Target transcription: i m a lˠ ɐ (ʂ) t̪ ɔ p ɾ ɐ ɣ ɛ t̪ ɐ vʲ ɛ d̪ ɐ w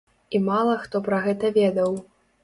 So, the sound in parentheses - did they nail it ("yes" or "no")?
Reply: no